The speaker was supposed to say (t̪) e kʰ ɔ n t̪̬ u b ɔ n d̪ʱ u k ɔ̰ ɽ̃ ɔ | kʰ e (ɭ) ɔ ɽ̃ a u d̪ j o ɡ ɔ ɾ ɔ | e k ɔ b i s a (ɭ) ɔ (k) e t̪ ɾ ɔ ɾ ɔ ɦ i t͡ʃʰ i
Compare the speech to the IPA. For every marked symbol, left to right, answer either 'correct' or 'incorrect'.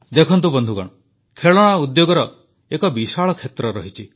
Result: incorrect, correct, correct, incorrect

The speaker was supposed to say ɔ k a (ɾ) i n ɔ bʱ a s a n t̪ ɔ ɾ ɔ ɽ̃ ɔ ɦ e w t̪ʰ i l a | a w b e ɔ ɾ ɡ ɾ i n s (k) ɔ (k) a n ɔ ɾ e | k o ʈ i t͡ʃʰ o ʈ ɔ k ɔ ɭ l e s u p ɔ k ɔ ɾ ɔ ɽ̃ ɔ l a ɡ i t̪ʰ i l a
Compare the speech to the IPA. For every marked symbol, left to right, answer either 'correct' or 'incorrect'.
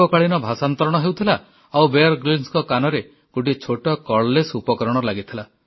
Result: incorrect, correct, correct

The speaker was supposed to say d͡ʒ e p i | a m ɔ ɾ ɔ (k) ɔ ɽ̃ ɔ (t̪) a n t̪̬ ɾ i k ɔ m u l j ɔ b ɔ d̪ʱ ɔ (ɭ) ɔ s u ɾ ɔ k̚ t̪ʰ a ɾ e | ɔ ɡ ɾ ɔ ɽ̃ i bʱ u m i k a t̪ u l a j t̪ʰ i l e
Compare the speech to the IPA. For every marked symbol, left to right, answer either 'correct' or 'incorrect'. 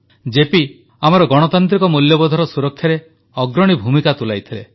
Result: incorrect, correct, incorrect

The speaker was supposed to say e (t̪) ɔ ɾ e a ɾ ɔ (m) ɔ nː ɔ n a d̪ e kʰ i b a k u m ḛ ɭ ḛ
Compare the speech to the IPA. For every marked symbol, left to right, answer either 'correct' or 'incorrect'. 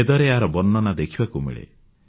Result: incorrect, incorrect

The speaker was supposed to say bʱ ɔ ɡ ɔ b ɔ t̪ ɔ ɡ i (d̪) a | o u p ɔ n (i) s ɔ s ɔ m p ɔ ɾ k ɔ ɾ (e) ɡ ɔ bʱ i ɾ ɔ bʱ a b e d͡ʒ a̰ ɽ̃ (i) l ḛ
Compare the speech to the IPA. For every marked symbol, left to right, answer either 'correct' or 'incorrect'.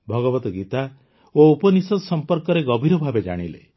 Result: incorrect, correct, correct, correct

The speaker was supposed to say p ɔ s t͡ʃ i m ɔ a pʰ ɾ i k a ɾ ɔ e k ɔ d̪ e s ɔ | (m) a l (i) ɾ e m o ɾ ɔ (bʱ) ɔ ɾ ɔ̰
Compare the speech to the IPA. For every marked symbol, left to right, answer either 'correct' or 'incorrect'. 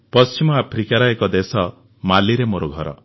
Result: correct, correct, incorrect

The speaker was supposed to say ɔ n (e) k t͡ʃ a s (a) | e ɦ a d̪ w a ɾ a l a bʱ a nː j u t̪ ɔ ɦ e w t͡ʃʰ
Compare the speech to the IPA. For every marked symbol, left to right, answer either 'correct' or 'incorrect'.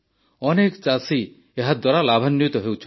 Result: correct, incorrect

